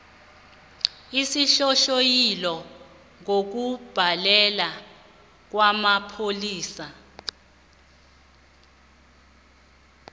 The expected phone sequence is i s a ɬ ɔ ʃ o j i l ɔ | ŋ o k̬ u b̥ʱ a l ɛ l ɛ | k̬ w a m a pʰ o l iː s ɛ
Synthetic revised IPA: i s i ɬ ɔ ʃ o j i l ɔ | ŋ o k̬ u b̥ʱ a l ɛ l a | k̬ w a m a pʰ o l iː s a